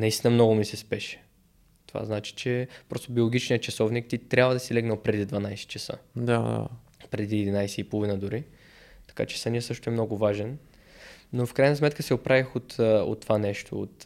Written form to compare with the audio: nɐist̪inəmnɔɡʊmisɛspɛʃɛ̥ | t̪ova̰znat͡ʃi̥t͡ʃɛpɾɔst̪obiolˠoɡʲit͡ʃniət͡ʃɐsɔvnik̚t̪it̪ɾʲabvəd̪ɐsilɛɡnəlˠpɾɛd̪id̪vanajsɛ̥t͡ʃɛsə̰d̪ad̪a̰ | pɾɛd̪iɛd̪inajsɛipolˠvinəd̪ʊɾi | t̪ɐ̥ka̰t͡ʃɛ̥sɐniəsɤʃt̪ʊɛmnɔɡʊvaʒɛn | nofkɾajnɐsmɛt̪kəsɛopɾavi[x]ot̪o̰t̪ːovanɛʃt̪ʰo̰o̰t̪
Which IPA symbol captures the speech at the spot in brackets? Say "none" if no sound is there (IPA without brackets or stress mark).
x